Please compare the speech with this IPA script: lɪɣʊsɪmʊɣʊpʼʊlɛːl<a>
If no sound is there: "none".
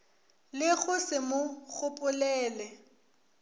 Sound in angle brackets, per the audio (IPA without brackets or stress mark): ɛ